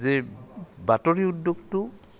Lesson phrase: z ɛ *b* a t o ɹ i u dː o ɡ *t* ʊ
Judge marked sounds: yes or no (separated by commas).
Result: yes, yes